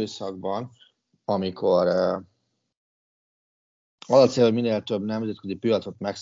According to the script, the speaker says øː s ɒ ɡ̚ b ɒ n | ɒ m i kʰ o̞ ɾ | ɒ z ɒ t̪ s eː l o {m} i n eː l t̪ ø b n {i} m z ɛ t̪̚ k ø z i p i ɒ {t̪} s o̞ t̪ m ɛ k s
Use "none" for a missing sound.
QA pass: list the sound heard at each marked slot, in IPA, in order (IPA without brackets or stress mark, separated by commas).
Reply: m, ɛ, t̪